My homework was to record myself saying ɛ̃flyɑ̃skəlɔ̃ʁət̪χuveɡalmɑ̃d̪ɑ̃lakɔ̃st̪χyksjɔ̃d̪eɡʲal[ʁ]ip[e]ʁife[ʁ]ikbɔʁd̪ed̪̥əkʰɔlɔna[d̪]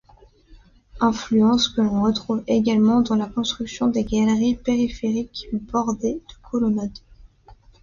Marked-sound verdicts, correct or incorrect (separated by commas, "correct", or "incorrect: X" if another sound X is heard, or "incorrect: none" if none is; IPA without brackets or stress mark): correct, correct, correct, correct